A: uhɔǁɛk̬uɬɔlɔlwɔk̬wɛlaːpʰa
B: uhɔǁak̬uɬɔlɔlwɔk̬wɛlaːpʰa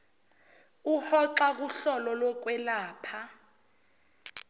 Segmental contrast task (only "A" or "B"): B